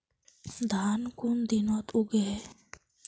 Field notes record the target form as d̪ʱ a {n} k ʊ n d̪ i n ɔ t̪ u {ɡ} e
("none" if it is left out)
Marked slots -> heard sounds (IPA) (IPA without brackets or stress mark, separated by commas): n, ɡ